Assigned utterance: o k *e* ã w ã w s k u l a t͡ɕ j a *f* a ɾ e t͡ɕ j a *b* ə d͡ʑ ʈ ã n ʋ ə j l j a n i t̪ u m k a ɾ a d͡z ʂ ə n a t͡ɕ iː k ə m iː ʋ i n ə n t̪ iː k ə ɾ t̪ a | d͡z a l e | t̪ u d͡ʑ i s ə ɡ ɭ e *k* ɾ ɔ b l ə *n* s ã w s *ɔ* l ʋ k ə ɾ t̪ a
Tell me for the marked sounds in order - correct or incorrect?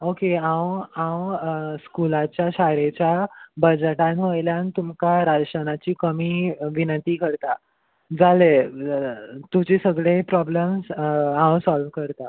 correct, incorrect: ɕ, correct, incorrect: p, incorrect: m, correct

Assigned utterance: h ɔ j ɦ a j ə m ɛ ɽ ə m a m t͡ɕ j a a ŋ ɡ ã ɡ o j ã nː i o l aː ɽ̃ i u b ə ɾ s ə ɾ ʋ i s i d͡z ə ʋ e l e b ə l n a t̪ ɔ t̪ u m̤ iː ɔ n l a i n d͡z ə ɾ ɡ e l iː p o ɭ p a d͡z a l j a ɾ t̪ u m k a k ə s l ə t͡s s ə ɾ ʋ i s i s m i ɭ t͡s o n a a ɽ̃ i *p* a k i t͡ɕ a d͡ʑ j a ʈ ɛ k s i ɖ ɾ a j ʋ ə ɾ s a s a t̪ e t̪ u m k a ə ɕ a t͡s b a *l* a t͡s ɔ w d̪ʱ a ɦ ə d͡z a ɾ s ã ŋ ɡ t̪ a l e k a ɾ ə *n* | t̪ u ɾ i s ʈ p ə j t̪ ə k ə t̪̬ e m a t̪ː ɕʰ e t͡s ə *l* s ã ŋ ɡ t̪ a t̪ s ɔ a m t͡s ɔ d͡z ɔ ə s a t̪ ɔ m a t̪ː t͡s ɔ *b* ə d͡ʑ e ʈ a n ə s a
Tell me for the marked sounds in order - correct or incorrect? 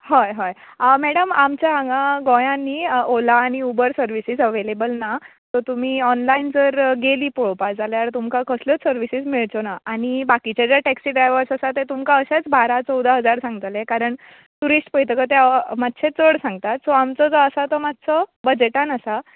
incorrect: b, incorrect: ɾ, incorrect: ɳ, incorrect: ɽ, correct

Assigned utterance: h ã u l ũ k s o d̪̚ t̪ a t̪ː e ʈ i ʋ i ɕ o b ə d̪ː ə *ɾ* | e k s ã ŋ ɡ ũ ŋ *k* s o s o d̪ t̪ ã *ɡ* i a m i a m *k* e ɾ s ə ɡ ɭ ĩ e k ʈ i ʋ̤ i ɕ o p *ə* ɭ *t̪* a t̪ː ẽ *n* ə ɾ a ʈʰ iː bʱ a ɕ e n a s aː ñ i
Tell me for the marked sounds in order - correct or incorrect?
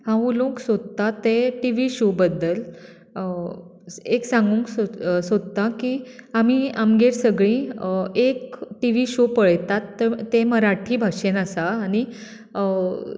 incorrect: l, correct, incorrect: k, incorrect: ɡ, correct, correct, incorrect: m

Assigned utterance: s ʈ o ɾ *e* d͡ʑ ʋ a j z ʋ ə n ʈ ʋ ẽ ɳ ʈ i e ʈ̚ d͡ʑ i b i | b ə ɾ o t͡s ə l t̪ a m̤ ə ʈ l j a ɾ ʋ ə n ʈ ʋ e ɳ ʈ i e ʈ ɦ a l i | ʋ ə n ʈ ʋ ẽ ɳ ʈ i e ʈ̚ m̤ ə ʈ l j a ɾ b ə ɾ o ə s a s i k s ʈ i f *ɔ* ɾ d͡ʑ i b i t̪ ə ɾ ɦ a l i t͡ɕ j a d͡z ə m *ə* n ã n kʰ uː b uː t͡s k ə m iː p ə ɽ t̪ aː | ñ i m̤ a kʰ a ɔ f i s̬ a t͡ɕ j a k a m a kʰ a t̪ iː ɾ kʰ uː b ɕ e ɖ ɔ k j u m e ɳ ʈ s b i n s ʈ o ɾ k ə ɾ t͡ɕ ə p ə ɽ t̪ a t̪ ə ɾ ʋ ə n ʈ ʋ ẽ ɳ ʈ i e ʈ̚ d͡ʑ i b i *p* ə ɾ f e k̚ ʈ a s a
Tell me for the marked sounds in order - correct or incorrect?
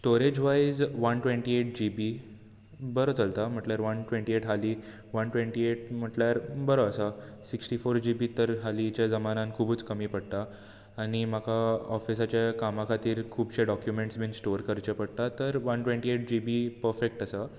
correct, incorrect: o, incorrect: a, correct

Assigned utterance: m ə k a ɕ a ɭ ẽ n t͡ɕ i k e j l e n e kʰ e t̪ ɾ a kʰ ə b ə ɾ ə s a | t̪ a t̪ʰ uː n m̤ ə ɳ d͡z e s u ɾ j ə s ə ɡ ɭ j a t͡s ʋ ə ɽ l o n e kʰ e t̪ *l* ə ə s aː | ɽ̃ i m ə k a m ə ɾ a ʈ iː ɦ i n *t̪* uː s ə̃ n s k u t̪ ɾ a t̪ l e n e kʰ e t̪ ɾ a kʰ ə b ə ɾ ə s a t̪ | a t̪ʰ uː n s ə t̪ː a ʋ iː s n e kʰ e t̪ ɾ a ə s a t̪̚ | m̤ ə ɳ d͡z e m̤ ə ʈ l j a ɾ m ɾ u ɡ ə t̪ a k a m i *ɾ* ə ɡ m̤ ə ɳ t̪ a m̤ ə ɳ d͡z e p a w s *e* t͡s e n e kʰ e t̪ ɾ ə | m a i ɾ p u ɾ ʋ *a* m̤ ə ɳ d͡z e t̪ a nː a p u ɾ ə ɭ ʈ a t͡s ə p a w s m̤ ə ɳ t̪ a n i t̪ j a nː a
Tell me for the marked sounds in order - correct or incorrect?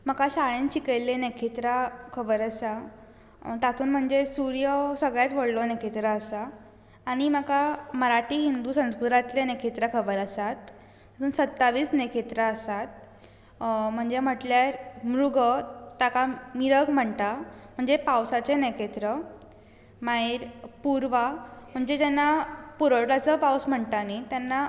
incorrect: ɾ, incorrect: d̪, correct, incorrect: a, correct

